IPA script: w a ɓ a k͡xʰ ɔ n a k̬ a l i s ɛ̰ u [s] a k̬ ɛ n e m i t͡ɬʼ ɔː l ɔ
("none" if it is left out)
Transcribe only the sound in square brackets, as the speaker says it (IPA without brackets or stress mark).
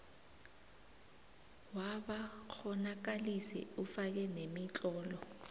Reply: f